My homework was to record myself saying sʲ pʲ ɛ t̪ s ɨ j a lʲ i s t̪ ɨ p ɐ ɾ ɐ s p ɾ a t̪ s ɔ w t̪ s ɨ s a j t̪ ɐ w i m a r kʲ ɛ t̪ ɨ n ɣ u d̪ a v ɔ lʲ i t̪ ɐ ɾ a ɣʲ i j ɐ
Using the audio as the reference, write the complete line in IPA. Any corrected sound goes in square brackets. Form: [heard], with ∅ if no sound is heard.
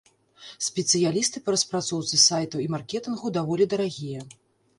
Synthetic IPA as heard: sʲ pʲ ɛ t̪ s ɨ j a lʲ i s t̪ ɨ p ɐ ɾ ɐ s p ɾ a t̪ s ɔ w t̪ s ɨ s a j t̪ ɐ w i m a r kʲ ɛ t̪ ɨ n ɣ u d̪ a v ɔ lʲ i [d̪] ɐ ɾ a ɣʲ i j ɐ